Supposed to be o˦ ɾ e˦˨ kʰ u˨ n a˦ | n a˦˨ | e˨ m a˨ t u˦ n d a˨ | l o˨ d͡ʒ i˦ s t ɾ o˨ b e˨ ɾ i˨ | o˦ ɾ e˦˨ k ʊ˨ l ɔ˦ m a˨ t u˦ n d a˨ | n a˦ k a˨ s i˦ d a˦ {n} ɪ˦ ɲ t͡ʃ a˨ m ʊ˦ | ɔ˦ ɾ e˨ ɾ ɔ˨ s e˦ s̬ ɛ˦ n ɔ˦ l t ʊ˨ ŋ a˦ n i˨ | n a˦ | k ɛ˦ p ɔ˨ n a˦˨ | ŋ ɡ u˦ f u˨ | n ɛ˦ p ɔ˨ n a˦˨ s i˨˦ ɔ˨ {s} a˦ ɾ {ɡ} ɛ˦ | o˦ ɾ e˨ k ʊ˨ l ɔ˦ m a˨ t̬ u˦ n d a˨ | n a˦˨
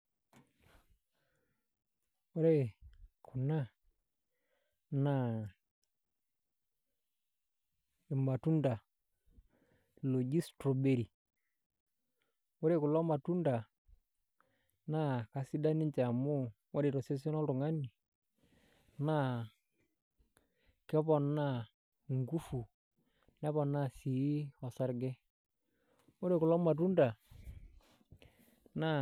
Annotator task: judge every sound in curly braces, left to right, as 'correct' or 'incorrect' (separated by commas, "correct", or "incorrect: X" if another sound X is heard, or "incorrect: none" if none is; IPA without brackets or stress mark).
correct, correct, correct